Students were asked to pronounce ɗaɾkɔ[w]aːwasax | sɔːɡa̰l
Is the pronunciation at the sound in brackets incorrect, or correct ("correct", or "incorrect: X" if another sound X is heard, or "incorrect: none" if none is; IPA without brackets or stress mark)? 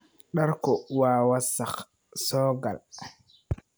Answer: correct